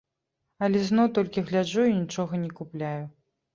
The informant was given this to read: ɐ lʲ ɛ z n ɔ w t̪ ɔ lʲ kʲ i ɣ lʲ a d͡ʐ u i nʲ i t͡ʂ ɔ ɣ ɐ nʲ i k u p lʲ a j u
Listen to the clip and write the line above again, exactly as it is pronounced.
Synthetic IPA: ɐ lʲ ɛ z n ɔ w t̪ ɔ lʲ kʲ i ɣ lʲ a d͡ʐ u i nʲ i t͡ʂ ɔ ɣ ɐ nʲ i k u p lʲ a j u